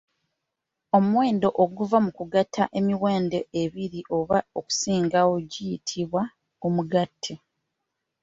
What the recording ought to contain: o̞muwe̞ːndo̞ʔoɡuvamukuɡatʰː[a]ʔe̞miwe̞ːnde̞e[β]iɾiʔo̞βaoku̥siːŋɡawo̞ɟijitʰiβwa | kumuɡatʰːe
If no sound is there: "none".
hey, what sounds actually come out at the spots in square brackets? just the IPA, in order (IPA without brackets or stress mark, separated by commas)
a, β